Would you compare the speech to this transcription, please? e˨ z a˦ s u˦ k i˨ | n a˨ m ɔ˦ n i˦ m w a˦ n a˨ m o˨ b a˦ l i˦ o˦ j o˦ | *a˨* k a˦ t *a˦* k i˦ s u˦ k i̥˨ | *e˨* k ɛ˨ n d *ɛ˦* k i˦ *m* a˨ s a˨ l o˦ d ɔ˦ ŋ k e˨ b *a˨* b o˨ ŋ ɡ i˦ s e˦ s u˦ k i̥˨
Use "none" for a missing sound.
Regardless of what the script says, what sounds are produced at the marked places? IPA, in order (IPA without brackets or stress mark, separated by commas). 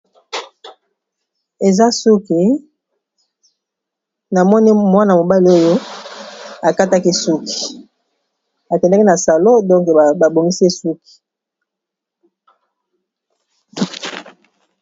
a˨, a˦, a˨, a˦, n, a˨